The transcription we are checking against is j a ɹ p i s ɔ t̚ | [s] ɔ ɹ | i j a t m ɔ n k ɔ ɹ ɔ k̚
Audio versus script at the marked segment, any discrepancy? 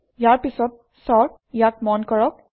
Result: no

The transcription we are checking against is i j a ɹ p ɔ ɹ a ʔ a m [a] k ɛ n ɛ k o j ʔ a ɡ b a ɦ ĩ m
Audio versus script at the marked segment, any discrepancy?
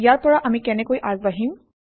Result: yes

